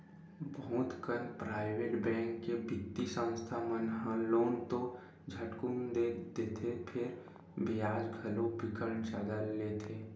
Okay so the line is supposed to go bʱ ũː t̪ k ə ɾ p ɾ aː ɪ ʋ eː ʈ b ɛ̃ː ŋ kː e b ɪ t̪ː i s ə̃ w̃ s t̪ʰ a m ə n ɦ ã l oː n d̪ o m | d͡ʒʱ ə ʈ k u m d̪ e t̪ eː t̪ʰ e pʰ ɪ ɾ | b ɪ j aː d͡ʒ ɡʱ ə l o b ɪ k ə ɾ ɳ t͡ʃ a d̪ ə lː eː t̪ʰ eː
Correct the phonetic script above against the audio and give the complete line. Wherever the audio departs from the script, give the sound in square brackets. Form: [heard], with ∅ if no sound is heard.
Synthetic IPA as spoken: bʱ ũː t̪ k ə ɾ p ɾ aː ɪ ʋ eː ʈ b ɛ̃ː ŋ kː e b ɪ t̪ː i s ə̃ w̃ s t̪ʰ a m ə n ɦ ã l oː n [t̪] o [∅] | d͡ʒʱ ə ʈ k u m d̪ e [d̪] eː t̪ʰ e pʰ ɪ ɾ | b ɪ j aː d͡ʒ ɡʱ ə l o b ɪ k ə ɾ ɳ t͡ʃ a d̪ ə lː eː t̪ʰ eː